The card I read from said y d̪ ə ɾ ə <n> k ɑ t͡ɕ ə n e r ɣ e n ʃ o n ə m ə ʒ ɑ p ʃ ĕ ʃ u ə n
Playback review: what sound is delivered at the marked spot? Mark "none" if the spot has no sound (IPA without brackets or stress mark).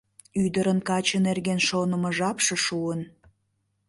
n